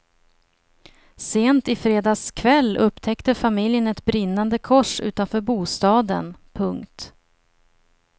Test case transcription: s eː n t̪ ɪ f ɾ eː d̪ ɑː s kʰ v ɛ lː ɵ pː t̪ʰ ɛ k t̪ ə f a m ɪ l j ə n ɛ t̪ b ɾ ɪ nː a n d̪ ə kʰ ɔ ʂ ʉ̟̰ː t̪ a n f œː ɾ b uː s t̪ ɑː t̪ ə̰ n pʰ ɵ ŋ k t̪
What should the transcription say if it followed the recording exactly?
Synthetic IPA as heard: s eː n t̪ ɪ f ɾ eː d̪ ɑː s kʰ v ɛ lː ɵ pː t̪ʰ ɛ k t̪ ə f a m ɪ l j ə n ɛ t̪ b ɾ ɪ nː a n d̪ ə kʰ ɔ ʂ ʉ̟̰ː t̪ a n f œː ɾ b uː s t̪ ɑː d̪ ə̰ n pʰ ɵ ŋ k t̪